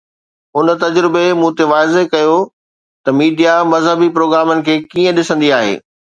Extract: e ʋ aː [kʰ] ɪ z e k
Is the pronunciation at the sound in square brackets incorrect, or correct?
incorrect